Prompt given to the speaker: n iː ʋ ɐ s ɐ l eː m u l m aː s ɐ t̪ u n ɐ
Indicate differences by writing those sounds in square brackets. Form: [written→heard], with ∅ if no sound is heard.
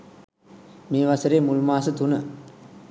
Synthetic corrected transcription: [n→m] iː ʋ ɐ s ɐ [l→ɾ] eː m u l m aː s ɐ t̪ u n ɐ